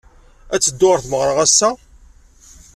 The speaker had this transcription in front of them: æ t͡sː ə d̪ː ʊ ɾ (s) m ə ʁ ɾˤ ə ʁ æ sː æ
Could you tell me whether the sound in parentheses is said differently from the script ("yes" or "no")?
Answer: yes